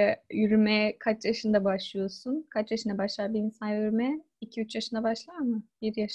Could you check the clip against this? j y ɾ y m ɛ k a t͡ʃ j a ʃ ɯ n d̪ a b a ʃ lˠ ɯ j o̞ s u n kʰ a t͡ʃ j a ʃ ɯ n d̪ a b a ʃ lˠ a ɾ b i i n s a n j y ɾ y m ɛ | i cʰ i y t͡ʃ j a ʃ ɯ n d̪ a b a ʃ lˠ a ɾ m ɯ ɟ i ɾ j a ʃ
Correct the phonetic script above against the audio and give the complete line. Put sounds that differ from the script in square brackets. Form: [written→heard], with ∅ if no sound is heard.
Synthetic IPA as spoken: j y ɾ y m ɛ [k→kʰ] a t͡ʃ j a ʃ ɯ n d̪ a b a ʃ lˠ ɯ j o̞ s u n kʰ a t͡ʃ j a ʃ ɯ n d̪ a b a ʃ lˠ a ɾ b i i n s a n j y ɾ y m ɛ | i cʰ i y t͡ʃ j a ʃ ɯ n d̪ a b a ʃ lˠ a ɾ m ɯ [ɟ→b] i ɾ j a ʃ